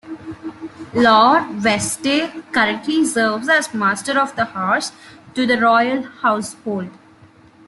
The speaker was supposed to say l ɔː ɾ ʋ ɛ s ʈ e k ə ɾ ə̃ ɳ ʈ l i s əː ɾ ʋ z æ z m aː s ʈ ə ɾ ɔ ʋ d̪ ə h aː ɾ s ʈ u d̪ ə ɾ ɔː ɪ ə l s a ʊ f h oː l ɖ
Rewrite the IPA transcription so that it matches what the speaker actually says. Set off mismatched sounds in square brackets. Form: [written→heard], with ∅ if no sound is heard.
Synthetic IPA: l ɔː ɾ ʋ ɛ s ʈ e k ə ɾ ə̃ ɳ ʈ l i s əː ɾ ʋ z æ z m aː s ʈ ə ɾ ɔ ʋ d̪ ə h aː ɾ s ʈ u d̪ ə ɾ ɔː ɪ ə l [s→h] a ʊ [f→s] h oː l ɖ